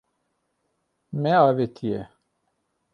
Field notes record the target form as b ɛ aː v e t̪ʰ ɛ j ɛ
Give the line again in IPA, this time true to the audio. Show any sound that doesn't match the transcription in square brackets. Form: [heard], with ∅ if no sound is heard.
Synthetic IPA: [m] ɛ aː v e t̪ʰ [i] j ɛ